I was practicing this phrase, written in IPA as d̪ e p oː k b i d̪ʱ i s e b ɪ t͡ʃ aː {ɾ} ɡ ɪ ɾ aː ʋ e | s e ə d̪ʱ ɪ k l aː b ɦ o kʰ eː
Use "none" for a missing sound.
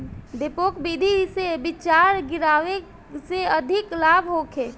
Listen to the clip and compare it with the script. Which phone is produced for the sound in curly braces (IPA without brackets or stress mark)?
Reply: ɾ